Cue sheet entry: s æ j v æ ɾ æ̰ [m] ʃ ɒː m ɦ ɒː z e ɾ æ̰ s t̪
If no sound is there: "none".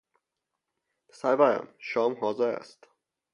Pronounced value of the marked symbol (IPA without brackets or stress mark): m